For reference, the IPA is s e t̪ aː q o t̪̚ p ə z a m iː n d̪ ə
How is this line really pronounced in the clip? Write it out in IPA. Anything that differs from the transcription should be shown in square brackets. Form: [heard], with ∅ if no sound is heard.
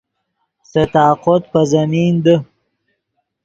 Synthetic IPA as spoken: s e t̪ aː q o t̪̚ p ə z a m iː n d̪ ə